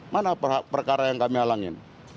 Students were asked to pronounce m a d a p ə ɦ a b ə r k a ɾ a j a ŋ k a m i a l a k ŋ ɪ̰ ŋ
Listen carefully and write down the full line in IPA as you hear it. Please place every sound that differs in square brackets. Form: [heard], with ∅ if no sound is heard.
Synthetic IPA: m a [n] a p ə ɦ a [p] ə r k a ɾ a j a ŋ k a m i a l a [∅] ŋ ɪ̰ [n]